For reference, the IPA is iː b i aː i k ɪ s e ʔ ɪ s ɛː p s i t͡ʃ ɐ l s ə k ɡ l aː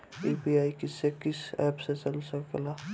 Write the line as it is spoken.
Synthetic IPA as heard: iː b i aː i k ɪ s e k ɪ s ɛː p s e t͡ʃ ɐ l s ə k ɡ l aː

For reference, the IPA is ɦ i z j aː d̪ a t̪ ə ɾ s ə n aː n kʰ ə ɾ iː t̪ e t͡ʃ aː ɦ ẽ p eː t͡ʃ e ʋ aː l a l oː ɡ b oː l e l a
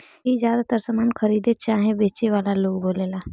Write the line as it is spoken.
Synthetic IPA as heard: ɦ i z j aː d̪ a t̪ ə ɾ s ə m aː n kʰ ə ɾ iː d̪ e t͡ʃ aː ɦ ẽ b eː t͡ʃ e ʋ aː l a l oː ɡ b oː l e l a

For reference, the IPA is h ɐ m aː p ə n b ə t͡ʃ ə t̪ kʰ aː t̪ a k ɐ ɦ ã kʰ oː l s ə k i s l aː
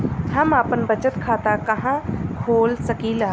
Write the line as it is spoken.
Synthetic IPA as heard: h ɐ m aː p ə n b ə t͡ʃ ə t̪ kʰ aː t̪ a k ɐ ɦ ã kʰ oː l s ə k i l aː

